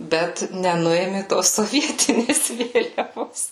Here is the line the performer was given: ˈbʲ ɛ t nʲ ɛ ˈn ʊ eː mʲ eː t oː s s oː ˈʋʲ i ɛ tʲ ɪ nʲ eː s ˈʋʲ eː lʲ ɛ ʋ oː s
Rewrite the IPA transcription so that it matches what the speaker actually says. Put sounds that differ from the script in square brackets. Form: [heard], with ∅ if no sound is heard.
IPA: ˈbʲ ɛ t nʲ ɛ ˈn ʊ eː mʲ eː t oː s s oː ˈʋʲ i ɛ tʲ ɪ nʲ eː s ˈʋʲ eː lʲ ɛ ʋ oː s